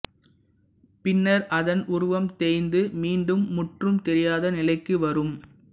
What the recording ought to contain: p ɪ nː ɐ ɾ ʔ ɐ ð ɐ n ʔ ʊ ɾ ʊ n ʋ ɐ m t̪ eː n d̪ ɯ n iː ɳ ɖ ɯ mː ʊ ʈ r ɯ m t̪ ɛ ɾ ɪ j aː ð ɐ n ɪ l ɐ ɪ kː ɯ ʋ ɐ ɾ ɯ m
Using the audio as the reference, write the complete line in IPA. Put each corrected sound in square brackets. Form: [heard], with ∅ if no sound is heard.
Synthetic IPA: p ɪ nː ɐ ɾ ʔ ɐ ð ɐ n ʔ ʊ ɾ ʊ [∅] ʋ ɐ m t̪ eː n d̪ ɯ [m] iː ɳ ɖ ɯ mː ʊ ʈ r ɯ m t̪ ɛ ɾ ɪ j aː ð ɐ n ɪ l ɐ ɪ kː ɯ ʋ ɐ ɾ ɯ m